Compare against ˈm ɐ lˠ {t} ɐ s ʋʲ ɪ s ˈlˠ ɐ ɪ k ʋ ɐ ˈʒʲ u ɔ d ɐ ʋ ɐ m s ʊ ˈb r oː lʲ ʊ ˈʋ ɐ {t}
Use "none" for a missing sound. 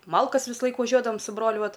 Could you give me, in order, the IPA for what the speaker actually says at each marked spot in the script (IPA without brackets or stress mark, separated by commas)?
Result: k, t